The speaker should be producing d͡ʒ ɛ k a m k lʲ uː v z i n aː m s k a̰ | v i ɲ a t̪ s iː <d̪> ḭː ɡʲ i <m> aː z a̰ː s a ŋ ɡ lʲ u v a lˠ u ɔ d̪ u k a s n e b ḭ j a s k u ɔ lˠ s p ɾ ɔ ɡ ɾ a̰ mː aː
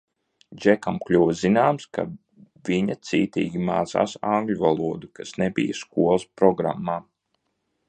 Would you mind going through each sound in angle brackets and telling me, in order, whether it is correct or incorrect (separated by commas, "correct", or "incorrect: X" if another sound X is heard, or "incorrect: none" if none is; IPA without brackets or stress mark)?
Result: incorrect: t̪, correct